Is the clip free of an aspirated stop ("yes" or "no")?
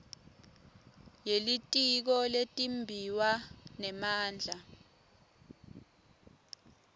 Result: yes